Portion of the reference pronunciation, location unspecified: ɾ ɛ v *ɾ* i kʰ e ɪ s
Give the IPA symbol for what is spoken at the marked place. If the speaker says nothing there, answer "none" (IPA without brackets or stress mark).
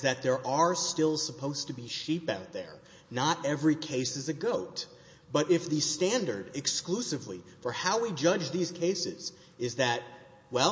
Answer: ɹ